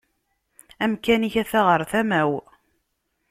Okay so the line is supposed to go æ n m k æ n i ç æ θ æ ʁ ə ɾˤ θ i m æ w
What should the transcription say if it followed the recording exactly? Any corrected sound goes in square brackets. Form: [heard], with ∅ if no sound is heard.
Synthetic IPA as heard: æ [∅] m k æ n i ç æ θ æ ʁ ə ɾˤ θ [æ] m æ w